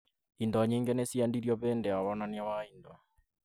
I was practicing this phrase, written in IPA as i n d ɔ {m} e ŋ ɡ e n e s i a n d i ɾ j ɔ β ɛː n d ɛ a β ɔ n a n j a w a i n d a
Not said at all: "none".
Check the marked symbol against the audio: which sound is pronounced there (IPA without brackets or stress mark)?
ɲ